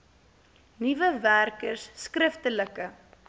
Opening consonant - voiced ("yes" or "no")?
yes